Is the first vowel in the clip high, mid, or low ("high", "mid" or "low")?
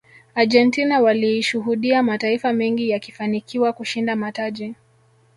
low